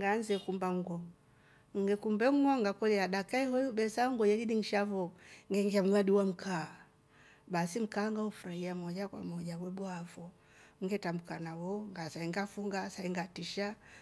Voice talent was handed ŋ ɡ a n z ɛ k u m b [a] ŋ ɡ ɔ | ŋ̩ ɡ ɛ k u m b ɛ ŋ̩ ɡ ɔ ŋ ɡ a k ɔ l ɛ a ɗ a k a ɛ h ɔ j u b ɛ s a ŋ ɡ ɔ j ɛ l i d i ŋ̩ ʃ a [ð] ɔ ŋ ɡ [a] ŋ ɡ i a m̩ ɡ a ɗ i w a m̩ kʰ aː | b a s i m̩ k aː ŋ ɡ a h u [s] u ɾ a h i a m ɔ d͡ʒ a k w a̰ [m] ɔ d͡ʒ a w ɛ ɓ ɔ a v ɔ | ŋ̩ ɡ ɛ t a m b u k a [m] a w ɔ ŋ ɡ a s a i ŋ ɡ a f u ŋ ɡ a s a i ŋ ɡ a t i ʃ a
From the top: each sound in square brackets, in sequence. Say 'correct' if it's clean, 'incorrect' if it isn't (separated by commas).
correct, incorrect, incorrect, incorrect, correct, incorrect